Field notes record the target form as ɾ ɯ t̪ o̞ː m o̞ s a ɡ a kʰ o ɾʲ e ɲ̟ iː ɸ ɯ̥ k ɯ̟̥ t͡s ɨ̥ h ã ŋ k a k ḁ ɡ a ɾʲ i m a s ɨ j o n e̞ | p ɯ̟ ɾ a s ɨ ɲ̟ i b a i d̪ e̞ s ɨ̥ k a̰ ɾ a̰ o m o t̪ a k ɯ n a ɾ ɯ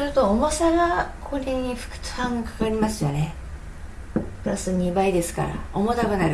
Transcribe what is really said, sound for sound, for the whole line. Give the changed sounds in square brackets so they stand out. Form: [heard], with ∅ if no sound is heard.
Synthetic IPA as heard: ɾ ɯ t̪ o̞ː m o̞ s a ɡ a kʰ o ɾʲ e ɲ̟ [i] ɸ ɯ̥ k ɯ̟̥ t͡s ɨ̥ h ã ŋ [ɡ] a k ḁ [k] a ɾʲ i m a s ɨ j o n e̞ | p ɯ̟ ɾ a s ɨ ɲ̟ i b a i d̪ e̞ s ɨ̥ k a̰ ɾ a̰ o m o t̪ a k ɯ n a ɾ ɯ